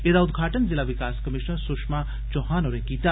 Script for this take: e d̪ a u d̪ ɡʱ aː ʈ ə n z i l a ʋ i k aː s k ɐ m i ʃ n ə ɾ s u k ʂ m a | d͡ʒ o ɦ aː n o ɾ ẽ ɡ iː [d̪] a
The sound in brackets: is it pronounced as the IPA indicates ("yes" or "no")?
no